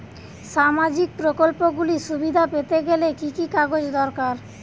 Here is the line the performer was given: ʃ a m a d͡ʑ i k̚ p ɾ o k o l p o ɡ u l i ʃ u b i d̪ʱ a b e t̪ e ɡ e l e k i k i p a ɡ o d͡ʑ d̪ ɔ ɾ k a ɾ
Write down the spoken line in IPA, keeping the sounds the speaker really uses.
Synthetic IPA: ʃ a m a d͡ʑ i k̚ p ɾ o k o l p o ɡ u l i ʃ u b i d̪ʱ a p e t̪ e ɡ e l e k i k i k a ɡ o d͡ʑ d̪ ɔ ɾ k a ɾ